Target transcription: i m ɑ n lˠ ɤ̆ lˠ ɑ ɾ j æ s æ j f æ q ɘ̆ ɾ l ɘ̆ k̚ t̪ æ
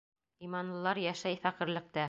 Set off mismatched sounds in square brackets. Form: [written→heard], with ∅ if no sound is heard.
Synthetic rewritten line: i m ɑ n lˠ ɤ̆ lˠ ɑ ɾ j æ [s→ʃ] æ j f æ q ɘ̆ ɾ l ɘ̆ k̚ t̪ æ